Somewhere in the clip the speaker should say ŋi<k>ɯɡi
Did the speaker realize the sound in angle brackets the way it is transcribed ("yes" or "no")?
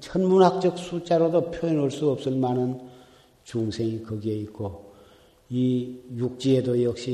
yes